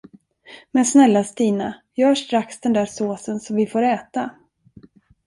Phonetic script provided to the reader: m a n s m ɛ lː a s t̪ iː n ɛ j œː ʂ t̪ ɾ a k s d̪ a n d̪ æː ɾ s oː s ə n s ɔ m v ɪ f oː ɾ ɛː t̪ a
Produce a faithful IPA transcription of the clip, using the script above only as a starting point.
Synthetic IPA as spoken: m ɛ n s n ɛ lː a s t̪ iː n a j œː ʂ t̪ ɾ a k s d̪ ɛ n d̪ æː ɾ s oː s ə n s ɔ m v ɪ f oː ɾ ɛː t̪ a